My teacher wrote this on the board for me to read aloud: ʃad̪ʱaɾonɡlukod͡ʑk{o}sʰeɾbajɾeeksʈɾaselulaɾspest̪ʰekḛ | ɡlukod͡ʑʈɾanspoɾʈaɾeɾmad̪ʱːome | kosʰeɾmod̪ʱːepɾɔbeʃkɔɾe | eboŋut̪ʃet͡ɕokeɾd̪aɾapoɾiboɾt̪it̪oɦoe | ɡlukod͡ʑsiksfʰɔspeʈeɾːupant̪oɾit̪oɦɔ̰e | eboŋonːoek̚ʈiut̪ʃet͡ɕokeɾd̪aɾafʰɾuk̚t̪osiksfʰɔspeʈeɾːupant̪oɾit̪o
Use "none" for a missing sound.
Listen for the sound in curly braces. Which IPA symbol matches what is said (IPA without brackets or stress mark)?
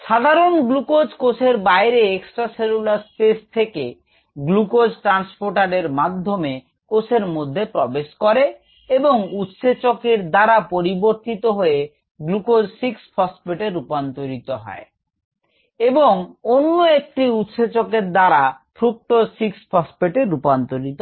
o